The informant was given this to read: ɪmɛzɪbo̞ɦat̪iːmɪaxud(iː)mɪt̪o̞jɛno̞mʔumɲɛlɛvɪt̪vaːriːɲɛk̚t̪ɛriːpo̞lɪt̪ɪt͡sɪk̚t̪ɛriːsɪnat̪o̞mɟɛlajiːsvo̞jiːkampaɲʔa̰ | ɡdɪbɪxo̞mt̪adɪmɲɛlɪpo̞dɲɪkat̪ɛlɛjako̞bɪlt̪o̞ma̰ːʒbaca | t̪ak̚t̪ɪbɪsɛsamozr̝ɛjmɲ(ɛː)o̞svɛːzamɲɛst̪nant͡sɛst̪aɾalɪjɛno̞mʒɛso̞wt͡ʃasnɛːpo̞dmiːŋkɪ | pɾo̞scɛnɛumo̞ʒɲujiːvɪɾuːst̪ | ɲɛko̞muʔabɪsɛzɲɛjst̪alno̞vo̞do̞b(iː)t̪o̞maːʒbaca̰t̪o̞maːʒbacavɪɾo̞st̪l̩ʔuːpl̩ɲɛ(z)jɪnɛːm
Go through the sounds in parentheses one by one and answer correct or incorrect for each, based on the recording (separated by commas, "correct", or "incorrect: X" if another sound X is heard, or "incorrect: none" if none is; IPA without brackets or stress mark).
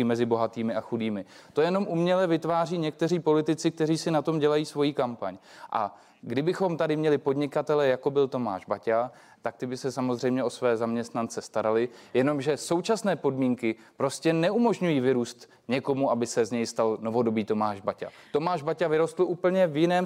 correct, incorrect: ɛ, correct, incorrect: v